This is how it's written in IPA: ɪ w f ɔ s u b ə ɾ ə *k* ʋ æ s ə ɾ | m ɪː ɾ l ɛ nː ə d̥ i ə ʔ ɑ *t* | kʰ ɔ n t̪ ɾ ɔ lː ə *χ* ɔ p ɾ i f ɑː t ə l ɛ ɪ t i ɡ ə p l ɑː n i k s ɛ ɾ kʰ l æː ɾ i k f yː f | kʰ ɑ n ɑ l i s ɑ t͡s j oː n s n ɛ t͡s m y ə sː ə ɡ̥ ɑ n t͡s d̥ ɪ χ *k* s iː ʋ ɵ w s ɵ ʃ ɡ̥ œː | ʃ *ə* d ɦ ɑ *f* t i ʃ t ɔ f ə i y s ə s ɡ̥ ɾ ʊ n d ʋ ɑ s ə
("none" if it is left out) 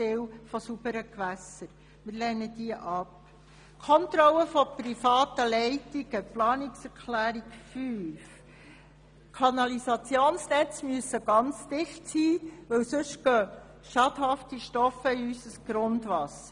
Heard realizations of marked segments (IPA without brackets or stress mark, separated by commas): k, p, f, t, ɑ, f